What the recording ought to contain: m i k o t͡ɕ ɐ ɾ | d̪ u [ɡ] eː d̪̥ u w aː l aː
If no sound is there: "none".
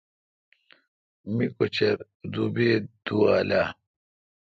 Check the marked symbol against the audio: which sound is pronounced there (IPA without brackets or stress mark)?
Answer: b